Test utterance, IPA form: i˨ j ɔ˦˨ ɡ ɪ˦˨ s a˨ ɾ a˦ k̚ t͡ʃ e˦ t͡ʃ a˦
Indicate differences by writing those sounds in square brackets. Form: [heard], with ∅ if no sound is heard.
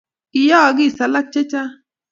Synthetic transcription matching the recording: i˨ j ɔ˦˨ ɡ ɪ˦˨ s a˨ [l] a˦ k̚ t͡ʃ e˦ t͡ʃ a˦